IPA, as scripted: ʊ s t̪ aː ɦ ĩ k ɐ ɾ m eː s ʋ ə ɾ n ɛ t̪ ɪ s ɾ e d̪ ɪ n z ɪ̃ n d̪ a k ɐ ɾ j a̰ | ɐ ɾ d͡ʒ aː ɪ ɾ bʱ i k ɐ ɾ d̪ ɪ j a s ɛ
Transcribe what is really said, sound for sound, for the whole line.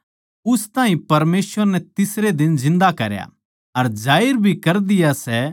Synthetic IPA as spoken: ʊ s t̪ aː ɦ ĩ p ɐ ɾ m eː s ʋ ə ɾ n ɛ t̪ ɪ s ɾ e d̪ ɪ n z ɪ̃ n d̪ a k ɐ ɾ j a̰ | ɐ ɾ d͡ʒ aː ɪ ɾ bʱ i k ɐ ɾ d̪ ɪ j a s ɛ